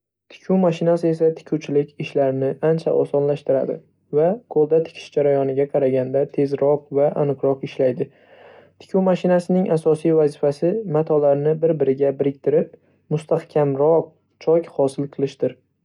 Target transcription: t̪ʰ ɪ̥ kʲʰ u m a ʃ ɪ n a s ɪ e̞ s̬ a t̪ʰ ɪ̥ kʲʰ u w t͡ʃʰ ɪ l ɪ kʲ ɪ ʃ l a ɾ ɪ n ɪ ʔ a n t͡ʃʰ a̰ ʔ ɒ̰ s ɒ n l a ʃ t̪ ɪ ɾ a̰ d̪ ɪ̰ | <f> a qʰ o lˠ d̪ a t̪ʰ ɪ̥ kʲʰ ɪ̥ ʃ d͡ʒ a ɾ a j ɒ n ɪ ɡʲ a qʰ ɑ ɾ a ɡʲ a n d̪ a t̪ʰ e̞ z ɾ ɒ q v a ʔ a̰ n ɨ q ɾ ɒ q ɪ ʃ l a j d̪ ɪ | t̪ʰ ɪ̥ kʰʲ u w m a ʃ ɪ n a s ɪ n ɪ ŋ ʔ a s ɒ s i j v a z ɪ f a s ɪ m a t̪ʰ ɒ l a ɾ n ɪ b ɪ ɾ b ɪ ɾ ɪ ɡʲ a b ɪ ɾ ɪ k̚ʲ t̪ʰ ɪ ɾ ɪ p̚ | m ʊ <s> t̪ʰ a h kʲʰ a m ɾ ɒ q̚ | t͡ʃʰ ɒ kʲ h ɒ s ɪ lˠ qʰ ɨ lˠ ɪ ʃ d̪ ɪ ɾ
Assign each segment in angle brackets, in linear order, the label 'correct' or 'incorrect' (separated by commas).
incorrect, correct